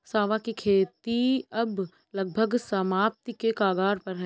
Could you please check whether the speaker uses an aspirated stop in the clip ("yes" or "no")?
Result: yes